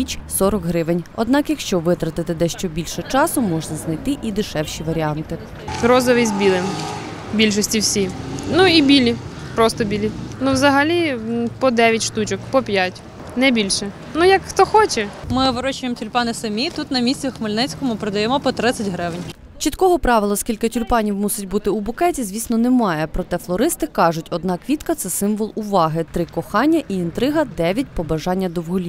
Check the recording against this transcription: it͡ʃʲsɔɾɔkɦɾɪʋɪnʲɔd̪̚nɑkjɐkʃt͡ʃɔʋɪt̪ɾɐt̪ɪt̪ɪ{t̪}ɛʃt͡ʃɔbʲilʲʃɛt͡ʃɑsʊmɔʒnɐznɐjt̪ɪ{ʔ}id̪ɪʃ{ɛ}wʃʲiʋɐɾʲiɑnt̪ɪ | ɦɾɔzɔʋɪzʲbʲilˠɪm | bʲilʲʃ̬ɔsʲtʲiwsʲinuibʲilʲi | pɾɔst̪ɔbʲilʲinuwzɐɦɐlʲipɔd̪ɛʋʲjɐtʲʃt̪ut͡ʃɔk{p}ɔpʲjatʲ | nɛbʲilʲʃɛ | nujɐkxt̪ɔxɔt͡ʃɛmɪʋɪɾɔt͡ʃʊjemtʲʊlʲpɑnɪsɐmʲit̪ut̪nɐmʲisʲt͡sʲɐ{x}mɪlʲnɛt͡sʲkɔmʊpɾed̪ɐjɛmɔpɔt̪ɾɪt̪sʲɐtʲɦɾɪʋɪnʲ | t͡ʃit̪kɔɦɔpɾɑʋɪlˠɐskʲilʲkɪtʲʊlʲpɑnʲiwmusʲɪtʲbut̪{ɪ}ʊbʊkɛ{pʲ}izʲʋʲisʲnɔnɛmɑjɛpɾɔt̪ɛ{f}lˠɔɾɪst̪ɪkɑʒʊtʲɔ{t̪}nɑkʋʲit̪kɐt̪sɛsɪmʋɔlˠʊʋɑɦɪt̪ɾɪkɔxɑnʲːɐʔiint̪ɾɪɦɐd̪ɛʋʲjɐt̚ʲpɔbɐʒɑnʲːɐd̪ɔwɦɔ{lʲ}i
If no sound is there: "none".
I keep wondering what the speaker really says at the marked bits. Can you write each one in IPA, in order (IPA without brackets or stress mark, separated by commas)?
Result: d̪, ʔ, ɛ, p, x, ɪ, tʲ, f, d̪, lʲ